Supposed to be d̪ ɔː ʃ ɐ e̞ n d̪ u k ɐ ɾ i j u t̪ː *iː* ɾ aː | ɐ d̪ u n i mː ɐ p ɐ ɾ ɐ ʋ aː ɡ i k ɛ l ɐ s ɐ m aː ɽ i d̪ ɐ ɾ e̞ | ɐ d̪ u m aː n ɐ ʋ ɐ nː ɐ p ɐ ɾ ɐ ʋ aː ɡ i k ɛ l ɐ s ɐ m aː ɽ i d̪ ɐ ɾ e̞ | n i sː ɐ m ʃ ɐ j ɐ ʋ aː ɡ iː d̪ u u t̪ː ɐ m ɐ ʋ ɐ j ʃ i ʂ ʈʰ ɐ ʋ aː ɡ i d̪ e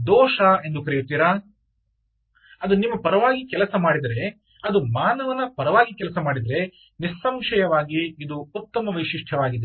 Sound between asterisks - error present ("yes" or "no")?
no